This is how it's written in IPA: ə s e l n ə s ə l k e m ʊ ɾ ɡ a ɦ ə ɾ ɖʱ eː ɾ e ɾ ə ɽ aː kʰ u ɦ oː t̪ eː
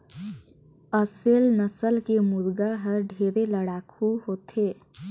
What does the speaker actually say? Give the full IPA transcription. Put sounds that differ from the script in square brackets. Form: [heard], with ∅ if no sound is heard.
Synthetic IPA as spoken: ə s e l n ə s ə l k e m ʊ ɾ ɡ a ɦ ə ɾ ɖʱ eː ɾ e [l] ə ɽ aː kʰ u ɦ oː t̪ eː